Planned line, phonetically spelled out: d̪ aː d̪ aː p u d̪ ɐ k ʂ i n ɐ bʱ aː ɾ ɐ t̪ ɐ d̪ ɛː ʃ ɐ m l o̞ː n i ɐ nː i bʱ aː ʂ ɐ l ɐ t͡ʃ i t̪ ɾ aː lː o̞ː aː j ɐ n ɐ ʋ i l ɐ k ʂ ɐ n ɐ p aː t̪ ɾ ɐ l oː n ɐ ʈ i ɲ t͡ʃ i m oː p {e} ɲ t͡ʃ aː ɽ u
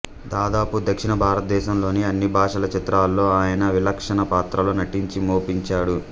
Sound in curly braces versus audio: incorrect: i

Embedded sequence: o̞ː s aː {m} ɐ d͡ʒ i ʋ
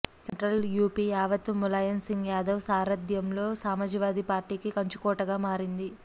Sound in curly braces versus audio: correct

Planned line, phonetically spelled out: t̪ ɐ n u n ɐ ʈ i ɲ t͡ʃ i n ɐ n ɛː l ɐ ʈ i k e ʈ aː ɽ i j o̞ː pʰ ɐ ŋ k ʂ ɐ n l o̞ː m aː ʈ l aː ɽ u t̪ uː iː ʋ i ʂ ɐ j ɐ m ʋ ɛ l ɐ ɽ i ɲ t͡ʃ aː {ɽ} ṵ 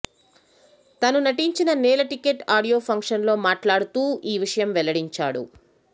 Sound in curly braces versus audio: correct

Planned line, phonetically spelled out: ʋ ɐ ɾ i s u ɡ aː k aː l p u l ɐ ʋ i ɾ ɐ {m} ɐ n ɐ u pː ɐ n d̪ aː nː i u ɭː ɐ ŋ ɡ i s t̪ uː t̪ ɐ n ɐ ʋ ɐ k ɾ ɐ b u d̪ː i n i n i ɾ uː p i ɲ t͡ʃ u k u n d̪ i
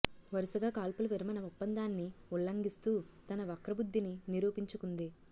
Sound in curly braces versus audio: correct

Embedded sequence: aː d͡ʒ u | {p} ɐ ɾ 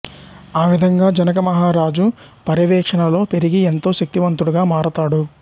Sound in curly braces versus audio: correct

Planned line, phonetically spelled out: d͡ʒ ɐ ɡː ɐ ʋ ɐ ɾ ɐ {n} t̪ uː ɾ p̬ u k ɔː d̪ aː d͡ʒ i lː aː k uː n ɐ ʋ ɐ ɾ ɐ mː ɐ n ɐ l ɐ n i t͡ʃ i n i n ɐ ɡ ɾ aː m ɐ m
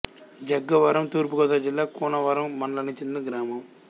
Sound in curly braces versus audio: incorrect: m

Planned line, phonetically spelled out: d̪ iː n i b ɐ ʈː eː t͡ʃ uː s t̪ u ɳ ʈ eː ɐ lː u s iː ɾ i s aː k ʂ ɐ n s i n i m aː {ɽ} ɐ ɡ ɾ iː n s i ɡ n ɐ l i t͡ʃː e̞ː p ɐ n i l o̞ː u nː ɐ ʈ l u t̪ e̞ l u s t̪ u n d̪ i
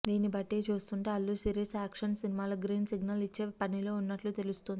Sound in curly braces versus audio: incorrect: l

